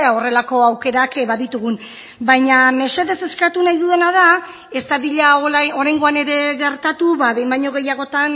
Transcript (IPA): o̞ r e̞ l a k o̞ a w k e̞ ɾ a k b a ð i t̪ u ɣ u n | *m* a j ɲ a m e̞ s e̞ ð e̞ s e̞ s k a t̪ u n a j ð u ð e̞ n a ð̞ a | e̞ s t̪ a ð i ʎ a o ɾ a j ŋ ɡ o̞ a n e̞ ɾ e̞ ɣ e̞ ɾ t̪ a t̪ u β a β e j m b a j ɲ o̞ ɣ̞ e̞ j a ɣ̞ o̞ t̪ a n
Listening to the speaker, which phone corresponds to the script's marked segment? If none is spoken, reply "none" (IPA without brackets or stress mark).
b